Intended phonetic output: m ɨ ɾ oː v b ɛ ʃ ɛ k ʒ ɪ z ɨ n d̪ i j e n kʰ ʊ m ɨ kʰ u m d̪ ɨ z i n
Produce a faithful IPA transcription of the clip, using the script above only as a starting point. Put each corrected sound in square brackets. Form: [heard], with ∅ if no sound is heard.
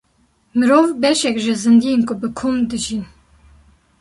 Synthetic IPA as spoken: m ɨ ɾ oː v b ɛ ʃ ɛ k ʒ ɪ z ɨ n d̪ i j e n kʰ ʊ [b] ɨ kʰ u m d̪ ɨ [ʒ] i n